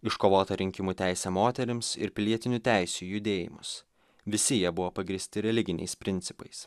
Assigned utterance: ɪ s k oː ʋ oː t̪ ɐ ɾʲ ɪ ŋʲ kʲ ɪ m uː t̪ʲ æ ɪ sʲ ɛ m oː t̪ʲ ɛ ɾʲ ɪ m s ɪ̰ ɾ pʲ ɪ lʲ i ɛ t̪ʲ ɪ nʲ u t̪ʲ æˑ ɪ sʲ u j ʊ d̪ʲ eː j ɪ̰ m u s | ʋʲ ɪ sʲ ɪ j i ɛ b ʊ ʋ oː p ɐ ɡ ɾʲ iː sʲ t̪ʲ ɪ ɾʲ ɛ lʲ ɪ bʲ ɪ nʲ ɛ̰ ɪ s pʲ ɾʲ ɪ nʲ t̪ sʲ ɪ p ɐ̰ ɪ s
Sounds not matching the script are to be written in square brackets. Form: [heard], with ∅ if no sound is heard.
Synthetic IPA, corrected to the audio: ɪ [ʃ] k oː ʋ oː t̪ ɐ ɾʲ ɪ ŋʲ kʲ ɪ m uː t̪ʲ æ ɪ sʲ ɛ m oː t̪ʲ ɛ ɾʲ ɪ m s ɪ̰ ɾ pʲ ɪ lʲ i ɛ t̪ʲ ɪ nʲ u t̪ʲ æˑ ɪ sʲ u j ʊ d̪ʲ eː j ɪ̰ m [ʊ] s | ʋʲ ɪ sʲ ɪ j i ɛ b ʊ ʋ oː p ɐ ɡ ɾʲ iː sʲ t̪ʲ ɪ ɾʲ ɛ lʲ ɪ [ɡʲ] ɪ nʲ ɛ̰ ɪ s pʲ ɾʲ ɪ nʲ t̪ sʲ ɪ p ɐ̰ ɪ s